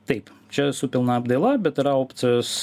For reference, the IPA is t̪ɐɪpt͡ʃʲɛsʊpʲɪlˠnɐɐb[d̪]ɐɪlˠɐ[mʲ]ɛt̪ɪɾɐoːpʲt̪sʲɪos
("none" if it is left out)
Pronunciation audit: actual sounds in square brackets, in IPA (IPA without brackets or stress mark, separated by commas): d̪, bʲ